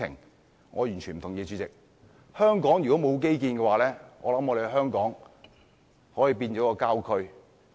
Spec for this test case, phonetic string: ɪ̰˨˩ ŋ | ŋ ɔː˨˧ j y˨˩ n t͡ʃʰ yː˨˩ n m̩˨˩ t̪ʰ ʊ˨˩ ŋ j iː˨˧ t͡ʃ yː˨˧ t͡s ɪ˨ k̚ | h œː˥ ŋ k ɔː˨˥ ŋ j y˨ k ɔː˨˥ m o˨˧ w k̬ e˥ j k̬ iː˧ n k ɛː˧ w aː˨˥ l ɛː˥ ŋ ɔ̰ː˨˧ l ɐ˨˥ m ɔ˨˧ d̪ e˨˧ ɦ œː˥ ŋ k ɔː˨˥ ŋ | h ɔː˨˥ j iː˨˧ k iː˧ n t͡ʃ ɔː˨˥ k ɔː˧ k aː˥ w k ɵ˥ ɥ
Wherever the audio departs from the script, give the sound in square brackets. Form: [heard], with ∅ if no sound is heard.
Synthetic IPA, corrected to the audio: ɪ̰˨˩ ŋ | ŋ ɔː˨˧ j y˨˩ n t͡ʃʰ [y˨˩] n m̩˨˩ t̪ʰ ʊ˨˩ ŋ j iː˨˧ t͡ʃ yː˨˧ t͡s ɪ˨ k̚ | h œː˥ ŋ k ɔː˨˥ ŋ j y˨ k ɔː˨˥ m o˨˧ w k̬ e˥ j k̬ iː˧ n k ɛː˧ w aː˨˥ l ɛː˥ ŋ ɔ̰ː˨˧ l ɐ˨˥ m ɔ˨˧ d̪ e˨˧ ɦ œː˥ ŋ k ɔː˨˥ ŋ | h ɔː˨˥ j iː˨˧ [p] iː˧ n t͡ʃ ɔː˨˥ k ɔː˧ k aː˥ w [kʰ] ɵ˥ ɥ